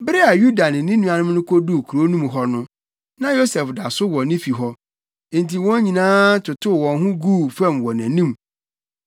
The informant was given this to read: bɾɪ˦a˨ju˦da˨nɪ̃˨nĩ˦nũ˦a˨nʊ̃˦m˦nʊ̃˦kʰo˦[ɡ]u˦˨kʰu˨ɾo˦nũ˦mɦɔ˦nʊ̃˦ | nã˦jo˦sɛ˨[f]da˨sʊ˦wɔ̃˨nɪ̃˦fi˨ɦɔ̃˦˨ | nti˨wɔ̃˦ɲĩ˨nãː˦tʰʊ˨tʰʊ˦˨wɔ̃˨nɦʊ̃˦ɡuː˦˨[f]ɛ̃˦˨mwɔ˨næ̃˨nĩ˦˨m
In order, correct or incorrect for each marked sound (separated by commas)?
incorrect, correct, correct